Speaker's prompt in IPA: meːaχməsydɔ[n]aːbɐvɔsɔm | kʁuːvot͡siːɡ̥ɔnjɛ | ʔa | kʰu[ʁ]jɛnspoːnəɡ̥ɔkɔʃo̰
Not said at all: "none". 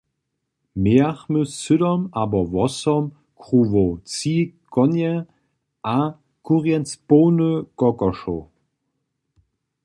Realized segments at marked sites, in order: m, ʁ

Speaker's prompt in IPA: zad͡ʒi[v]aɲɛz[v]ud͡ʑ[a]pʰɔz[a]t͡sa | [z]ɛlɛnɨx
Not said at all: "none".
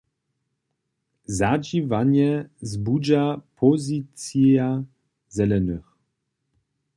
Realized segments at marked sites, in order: v, b, a, i, z

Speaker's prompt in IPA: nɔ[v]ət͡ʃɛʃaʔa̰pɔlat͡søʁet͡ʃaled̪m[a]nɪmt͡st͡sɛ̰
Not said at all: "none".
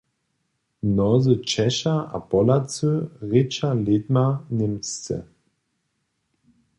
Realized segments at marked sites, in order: z, a

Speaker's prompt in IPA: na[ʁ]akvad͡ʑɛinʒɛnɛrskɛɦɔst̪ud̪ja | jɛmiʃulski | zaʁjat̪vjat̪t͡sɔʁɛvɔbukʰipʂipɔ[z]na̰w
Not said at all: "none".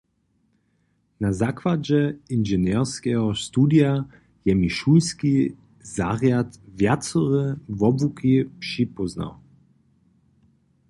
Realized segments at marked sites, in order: z, z

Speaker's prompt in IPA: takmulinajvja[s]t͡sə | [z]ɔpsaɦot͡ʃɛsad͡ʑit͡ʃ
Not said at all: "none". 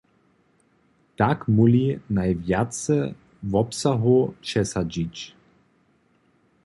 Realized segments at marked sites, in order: none, v

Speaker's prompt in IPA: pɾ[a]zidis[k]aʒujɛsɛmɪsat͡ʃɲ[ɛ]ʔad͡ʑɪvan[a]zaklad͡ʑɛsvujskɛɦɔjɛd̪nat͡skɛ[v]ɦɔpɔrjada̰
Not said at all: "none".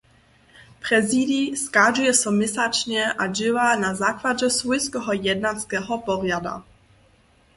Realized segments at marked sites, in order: ɛ, k, ɛ, a, none

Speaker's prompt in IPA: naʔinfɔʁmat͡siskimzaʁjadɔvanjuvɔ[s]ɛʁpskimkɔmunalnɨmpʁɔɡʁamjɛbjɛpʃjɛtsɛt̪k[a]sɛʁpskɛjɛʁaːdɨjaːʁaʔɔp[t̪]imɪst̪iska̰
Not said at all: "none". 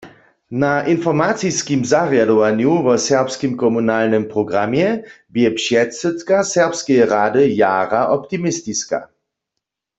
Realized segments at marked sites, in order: s, a, t̪

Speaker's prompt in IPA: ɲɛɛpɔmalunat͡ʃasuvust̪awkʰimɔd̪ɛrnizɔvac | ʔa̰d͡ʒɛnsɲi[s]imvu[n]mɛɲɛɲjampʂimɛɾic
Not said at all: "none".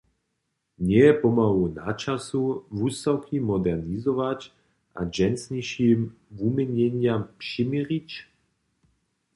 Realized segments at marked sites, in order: ʃ, none

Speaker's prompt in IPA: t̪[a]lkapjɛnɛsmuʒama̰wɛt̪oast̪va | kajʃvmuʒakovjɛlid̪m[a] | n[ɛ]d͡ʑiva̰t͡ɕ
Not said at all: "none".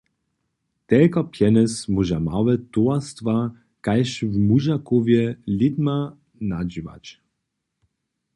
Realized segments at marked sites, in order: ɛ, a, a

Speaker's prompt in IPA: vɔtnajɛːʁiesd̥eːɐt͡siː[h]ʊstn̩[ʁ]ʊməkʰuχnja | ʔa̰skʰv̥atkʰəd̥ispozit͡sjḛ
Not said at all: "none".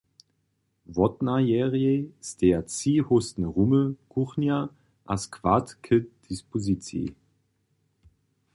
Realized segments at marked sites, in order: h, ʁ

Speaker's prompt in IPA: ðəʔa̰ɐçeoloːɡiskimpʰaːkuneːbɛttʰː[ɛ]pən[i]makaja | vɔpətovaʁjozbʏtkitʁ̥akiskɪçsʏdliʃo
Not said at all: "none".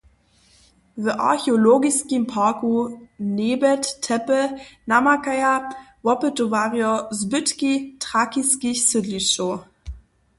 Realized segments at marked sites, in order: ɛ, a

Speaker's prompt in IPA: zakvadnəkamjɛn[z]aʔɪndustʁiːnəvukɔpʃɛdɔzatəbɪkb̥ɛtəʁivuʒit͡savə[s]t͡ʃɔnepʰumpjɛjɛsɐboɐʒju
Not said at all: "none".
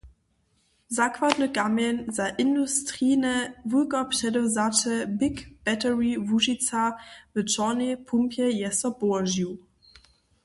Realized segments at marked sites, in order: z, none

